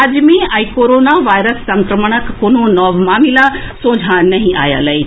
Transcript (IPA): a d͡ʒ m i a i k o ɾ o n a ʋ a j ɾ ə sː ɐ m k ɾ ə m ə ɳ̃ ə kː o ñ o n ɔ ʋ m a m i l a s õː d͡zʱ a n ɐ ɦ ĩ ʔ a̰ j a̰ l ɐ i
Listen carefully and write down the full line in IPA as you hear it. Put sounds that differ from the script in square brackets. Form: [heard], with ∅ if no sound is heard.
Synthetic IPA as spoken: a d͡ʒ m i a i k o ɾ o n a ʋ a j ɾ ə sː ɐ [ŋ] k ɾ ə m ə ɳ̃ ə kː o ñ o n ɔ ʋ m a m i l a s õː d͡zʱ a n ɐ ɦ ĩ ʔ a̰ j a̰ l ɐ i

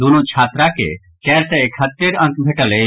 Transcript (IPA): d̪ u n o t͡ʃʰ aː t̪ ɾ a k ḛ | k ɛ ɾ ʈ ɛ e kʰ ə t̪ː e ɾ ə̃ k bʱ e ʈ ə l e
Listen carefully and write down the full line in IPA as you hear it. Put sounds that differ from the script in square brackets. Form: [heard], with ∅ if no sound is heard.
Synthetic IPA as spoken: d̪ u n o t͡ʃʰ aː t̪ ɾ a k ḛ | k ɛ ɾ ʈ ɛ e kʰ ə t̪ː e ɾ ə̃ k bʱ e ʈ ə l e

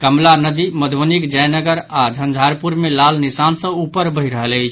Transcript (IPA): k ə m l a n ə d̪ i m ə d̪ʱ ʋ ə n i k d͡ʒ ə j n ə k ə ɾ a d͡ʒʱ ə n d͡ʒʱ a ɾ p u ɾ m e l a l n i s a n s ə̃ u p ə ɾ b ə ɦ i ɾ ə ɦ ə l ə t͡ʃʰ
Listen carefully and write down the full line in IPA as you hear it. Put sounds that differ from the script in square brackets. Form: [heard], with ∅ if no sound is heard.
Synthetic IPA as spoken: k ə m l a n ə d̪ i m ə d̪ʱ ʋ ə n i k d͡ʒ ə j n ə [ɡ] ə ɾ a d͡ʒʱ ə n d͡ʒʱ a ɾ p u ɾ m e l a l n i s a n s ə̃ u p ə ɾ b ə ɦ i ɾ ə ɦ ə l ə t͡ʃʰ

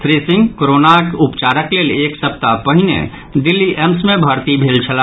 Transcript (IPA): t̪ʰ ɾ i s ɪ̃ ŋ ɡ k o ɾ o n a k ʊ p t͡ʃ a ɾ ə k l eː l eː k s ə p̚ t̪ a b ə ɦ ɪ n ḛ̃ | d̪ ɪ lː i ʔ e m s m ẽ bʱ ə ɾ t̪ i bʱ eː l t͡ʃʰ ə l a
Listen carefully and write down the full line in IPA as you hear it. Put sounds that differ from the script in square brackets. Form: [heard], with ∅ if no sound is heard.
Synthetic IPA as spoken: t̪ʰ ɾ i s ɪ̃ ŋ ɡ k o ɾ o n a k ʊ p t͡ʃ a ɾ ə k l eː l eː k s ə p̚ t̪ a [p] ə ɦ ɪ n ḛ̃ | d̪ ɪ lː i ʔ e m s m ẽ bʱ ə ɾ t̪ i bʱ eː l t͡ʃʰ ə l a

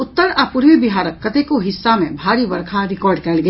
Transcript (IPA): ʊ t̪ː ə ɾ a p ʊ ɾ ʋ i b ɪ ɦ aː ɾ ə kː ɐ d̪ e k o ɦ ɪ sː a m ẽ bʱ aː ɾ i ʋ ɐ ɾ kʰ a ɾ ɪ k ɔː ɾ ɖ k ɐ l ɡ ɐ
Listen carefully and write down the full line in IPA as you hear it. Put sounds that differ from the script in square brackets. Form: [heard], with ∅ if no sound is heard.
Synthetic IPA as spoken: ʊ t̪ː ə ɾ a p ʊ ɾ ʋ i b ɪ ɦ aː ɾ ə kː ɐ [t̪] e k o ɦ ɪ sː a m ẽ bʱ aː ɾ i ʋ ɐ ɾ kʰ a ɾ ɪ k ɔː ɾ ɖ k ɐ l ɡ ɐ

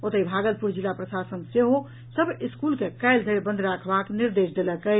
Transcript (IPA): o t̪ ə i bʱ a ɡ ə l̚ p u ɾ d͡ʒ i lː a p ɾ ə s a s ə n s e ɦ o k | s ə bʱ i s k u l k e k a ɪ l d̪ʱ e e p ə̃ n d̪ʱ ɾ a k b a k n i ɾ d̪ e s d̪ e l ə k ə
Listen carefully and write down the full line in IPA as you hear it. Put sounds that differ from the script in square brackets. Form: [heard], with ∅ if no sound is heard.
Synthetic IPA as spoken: o t̪ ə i bʱ a ɡ ə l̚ p u ɾ d͡ʒ i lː a p ɾ ə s a s ə n s e ɦ o [∅] | s ə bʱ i s k u l k e k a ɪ l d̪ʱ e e [b] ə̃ n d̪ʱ ɾ a [kʰ] b a k n i ɾ d̪ e s d̪ e l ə k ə

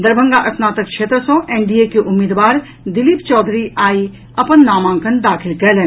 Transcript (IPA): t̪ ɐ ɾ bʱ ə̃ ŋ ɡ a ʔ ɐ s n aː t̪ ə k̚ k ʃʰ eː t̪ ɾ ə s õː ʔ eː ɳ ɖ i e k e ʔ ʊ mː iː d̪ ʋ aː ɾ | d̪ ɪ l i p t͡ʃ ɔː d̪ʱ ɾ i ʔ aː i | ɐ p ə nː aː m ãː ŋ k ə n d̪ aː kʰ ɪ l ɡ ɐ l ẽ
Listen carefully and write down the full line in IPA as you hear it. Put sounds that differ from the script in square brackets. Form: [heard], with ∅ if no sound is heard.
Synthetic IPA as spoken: [d̪] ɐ ɾ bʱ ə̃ ŋ ɡ a ʔ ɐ s n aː t̪ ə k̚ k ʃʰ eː t̪ ɾ ə s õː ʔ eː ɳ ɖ i e k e ʔ ʊ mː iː d̪ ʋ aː ɾ | d̪ ɪ l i p t͡ʃ ɔː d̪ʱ ɾ i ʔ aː i | ɐ p ə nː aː m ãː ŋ k ə n d̪ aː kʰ ɪ l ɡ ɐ l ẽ

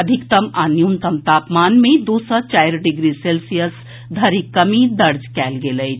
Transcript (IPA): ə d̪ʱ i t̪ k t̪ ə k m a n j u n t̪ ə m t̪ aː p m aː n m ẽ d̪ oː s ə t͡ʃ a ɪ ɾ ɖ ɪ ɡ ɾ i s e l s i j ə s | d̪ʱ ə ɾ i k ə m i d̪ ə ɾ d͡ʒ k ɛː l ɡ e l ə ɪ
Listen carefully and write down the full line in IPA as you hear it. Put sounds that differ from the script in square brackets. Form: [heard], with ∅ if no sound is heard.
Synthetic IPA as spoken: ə d̪ʱ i [∅] k t̪ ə [∅] m a n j u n t̪ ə m t̪ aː p m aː n m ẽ d̪ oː s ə t͡ʃ a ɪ ɾ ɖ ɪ ɡ ɾ i s e l s i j ə s | d̪ʱ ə ɾ i k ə m i d̪ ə ɾ d͡ʒ k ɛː l ɡ e l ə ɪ

